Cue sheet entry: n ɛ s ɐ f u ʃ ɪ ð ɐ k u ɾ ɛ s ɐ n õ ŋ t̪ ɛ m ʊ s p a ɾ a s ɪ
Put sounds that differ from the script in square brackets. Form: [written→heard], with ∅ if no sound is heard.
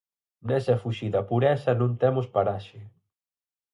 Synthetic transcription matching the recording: n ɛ s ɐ f u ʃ [ɪ→i] ð ɐ [k→p] u ɾ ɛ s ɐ n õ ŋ t̪ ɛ m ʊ s p a ɾ a [s→ʃ] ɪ